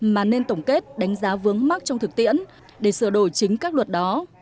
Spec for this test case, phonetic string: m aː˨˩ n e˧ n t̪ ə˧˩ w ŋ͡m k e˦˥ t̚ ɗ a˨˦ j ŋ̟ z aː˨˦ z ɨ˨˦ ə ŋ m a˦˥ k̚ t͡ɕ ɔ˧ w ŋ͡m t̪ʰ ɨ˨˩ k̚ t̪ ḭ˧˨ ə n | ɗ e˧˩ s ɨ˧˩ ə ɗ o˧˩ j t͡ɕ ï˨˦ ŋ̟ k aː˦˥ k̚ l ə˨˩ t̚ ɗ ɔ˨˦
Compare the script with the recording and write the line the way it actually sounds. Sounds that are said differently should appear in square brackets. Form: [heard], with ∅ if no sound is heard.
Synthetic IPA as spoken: m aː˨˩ n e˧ n t̪ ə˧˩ w ŋ͡m k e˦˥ t̚ ɗ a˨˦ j ŋ̟ z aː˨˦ [v] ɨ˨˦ ə ŋ m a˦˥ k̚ t͡ɕ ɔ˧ w ŋ͡m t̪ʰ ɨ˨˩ k̚ t̪ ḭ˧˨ ə n | ɗ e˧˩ s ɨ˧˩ ə ɗ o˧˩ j t͡ɕ ï˨˦ ŋ̟ k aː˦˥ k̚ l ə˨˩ t̚ ɗ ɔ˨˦